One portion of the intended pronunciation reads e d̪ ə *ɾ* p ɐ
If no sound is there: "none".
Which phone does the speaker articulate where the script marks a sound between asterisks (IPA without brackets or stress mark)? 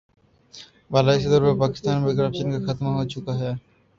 ɾ